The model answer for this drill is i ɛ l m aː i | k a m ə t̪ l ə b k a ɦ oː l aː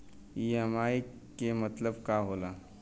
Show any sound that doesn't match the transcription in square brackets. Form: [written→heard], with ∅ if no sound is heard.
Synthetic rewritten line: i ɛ [l→∅] m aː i | k [a→e] m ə t̪ l ə b k a ɦ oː l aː

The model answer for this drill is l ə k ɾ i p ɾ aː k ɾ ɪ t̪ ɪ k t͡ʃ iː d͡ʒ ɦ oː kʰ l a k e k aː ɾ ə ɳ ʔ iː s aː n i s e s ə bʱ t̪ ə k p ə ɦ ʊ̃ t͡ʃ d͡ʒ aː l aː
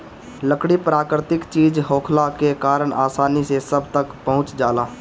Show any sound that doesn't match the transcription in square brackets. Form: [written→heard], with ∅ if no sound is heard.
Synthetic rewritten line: l ə k [ɾ→ɽ] i p ɾ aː k ɾ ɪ t̪ ɪ k t͡ʃ iː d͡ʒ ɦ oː kʰ l a k e k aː ɾ ə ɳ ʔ [iː→aː] s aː n i s e s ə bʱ t̪ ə k p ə ɦ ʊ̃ t͡ʃ d͡ʒ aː l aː

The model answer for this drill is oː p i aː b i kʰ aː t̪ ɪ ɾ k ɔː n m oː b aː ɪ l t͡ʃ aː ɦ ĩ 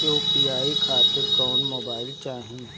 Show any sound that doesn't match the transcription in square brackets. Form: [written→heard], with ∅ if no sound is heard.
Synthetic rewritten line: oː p i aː [b→∅] i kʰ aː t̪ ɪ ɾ k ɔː n m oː b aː ɪ l t͡ʃ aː ɦ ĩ

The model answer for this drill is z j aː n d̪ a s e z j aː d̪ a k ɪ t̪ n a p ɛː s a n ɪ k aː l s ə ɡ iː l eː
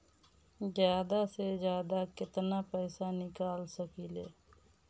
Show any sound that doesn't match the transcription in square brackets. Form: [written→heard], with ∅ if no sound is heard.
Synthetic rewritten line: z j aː [n→∅] d̪ a s e z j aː d̪ a k ɪ t̪ n a p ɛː s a n ɪ k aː l s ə [ɡ→k] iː l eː

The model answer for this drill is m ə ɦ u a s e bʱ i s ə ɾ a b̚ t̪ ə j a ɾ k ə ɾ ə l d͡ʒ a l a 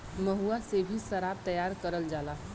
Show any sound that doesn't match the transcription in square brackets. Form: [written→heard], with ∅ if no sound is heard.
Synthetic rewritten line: m ə ɦ u a s e bʱ i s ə ɾ a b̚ t̪ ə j a ɾ k ə ɾ ə l d͡ʒ a l a

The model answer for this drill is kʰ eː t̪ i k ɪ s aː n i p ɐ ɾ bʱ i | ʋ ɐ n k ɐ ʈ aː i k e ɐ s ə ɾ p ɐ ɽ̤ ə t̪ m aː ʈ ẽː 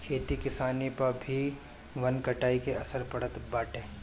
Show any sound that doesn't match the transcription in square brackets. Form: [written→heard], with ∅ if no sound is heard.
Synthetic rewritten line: kʰ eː t̪ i k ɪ s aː n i p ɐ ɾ bʱ i | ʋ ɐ n k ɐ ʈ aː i k e ɐ s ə ɾ p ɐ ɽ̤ ə t̪ [m→b] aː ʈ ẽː

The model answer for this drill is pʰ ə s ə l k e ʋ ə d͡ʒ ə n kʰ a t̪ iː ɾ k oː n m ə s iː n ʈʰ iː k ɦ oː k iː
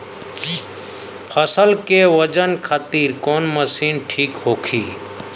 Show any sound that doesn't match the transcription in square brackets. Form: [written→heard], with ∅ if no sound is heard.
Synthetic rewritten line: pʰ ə s ə l k e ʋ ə d͡ʒ ə n kʰ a t̪ iː ɾ k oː n m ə s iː n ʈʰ iː k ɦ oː [k→kʰ] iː

